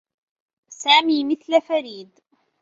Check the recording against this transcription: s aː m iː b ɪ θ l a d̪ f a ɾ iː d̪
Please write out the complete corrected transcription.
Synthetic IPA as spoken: s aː m iː m ɪ θ l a f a ɾ iː d̪